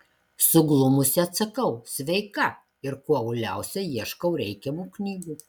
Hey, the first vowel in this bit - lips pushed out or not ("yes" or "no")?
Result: yes